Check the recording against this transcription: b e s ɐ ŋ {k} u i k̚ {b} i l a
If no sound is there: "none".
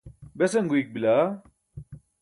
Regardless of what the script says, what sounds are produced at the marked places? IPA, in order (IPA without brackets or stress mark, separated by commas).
ɡ, b